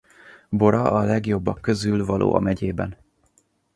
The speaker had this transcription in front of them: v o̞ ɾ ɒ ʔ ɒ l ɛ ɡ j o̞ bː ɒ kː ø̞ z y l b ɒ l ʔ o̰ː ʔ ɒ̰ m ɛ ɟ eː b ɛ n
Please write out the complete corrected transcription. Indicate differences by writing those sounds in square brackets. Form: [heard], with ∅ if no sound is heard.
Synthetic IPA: [b] o̞ ɾ ɒ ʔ ɒ l ɛ ɡ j o̞ bː ɒ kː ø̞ z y l [v] ɒ l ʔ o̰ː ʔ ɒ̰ m ɛ ɟ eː b ɛ n